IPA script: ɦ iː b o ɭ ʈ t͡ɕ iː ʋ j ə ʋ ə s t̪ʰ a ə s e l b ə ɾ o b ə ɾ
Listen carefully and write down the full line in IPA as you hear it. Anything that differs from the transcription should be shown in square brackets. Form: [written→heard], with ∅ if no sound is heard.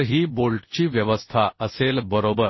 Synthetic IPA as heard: ɦ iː b o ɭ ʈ t͡ɕ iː ʋ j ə ʋ ə s t̪ʰ a ə s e l b ə ɾ o b ə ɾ